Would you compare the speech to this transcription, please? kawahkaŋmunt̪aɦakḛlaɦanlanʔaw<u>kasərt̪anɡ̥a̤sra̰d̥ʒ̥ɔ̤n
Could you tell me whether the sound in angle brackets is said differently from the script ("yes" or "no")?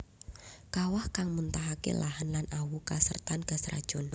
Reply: no